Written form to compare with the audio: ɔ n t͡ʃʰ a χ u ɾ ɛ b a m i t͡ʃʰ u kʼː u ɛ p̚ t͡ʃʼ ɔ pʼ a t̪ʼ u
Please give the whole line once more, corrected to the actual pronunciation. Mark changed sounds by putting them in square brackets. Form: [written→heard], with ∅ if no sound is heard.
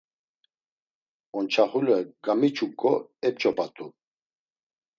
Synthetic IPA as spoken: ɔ n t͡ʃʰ a χ u [ɾ→l] ɛ [b→ɡ] a m i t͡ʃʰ u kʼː [u→ɔ] ɛ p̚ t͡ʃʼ ɔ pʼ a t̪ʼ u